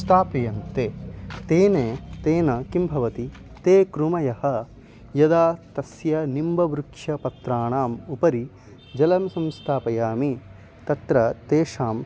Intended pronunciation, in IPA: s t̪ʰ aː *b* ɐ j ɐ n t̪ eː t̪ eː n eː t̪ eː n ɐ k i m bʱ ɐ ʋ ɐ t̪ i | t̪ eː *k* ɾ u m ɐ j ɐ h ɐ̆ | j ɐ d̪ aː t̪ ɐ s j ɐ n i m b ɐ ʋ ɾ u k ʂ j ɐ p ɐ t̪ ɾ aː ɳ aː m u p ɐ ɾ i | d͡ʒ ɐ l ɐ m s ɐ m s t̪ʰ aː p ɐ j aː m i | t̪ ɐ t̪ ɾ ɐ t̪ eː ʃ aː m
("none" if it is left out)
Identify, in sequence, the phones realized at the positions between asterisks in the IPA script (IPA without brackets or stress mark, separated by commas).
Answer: p, k